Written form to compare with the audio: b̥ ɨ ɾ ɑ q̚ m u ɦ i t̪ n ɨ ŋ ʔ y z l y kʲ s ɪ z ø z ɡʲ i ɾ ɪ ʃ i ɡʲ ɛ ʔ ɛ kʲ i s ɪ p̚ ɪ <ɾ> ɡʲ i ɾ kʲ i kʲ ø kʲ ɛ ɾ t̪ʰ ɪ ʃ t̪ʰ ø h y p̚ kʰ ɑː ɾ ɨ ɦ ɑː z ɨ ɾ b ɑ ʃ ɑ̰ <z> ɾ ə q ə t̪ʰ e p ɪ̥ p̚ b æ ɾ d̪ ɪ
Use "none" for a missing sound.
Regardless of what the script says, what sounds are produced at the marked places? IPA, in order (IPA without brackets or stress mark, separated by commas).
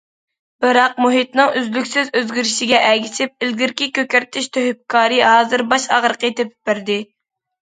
l, ʁ